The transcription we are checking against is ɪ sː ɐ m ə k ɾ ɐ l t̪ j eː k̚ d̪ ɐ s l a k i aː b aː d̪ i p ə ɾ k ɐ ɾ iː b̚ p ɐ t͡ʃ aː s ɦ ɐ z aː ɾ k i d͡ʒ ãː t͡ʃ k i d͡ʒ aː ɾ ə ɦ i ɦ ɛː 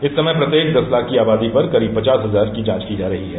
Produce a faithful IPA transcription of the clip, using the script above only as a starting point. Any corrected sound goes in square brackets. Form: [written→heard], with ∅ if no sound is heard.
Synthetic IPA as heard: ɪ sː ɐ m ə [k→p] ɾ ɐ [l→∅] t̪ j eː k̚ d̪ ɐ s l a k i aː b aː d̪ i p [ə→ɐ] ɾ k ɐ ɾ iː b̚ p ɐ t͡ʃ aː s ɦ ɐ z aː ɾ k i d͡ʒ ãː t͡ʃ k i d͡ʒ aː ɾ [ə→ɐ] ɦ i ɦ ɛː

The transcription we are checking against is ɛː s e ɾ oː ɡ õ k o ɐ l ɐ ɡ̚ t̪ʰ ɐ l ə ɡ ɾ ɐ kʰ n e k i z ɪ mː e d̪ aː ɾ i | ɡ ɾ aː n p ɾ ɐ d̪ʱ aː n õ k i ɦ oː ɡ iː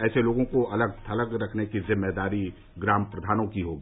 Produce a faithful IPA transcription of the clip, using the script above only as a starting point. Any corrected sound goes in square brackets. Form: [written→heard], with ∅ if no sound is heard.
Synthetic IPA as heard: ɛː s e [ɾ→l] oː ɡ õ k o ɐ l [ɐ→ə] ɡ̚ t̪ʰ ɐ l ə ɡ ɾ ɐ kʰ n e k i z ɪ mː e d̪ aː ɾ i | ɡ ɾ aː [n→m] p ɾ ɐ d̪ʱ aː n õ k i ɦ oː ɡ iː

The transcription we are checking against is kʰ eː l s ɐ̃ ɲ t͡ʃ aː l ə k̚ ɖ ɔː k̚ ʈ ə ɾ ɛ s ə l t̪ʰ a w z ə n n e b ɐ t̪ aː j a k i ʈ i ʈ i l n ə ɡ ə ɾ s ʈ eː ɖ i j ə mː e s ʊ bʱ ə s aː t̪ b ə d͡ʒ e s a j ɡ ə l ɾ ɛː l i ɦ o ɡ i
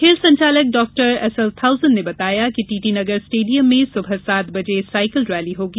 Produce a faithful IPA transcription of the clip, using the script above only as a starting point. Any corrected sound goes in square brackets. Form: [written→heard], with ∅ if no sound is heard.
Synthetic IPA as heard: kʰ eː l s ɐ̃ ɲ t͡ʃ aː l ə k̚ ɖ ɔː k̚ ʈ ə ɾ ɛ s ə l t̪ʰ a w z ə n n e b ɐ t̪ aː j a k i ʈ i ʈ i [l→∅] n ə ɡ ə ɾ s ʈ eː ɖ i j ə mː e s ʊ bʱ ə s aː t̪ b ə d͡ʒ e s a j [ɡ→k] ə l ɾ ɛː l i ɦ o ɡ i

